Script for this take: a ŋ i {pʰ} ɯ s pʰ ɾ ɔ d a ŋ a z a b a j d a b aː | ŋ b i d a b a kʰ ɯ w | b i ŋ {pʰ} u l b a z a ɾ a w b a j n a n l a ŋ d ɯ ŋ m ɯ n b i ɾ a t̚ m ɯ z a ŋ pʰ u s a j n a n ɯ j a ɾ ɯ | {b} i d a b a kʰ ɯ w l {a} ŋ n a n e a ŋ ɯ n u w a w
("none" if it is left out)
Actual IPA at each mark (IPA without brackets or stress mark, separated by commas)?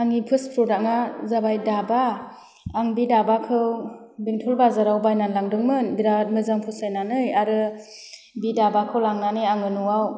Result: pʰ, tʰ, b, a